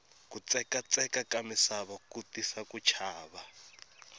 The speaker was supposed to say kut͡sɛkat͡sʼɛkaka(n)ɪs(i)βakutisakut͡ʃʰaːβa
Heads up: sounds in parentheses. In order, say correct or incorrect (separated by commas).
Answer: incorrect, incorrect